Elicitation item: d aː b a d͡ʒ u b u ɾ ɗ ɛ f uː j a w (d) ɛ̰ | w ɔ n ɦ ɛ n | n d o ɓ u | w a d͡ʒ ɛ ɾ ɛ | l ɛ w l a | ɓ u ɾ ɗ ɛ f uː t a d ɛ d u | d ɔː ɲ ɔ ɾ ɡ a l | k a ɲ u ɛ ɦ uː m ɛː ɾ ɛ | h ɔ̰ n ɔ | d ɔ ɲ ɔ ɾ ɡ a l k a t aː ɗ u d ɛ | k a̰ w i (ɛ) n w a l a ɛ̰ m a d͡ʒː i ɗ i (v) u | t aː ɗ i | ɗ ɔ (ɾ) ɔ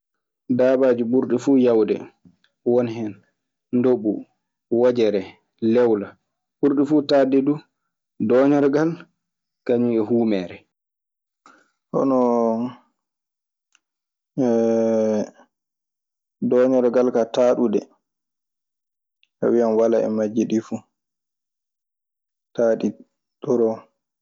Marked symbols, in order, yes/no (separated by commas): yes, no, no, yes